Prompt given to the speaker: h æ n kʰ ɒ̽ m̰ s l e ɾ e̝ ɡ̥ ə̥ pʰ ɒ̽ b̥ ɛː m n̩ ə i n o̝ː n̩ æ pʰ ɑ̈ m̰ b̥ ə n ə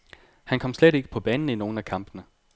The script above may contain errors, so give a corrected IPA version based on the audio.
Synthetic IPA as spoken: h æ n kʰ ɒ̽ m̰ s l e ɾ e̝ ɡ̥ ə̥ pʰ ɒ̽ b̥ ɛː n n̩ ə i n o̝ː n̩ æ kʰ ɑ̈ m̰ b̥ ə n ə